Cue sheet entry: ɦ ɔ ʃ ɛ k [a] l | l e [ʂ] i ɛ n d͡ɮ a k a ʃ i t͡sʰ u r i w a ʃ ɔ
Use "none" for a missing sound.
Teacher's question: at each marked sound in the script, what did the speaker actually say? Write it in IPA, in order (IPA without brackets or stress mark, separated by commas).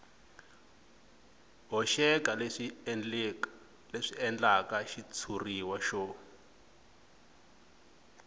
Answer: a, ʂ